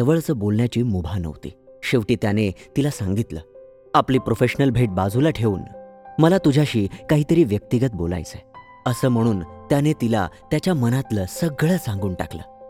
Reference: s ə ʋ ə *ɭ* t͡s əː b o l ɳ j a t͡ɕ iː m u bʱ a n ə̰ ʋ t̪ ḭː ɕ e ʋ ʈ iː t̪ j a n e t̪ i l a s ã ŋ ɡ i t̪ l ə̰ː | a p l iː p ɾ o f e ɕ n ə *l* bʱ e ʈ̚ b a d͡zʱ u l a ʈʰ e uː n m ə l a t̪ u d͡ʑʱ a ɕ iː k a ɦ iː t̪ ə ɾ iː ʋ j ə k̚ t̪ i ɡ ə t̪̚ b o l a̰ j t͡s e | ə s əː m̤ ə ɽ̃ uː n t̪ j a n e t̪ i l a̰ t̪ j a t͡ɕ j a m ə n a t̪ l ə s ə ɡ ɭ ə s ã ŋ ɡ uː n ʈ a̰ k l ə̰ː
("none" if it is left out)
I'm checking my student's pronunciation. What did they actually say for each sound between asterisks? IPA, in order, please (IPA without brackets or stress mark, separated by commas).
ɭ, l